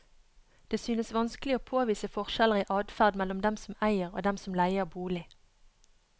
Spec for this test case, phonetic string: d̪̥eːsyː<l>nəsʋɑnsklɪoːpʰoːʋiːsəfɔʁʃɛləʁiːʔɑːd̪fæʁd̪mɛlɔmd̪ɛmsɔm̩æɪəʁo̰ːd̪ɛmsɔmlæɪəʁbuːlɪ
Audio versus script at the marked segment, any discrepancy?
yes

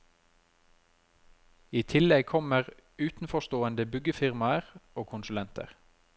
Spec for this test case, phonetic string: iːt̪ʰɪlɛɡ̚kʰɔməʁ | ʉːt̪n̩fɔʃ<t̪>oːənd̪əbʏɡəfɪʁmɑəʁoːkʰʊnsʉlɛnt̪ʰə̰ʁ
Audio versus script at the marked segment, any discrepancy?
no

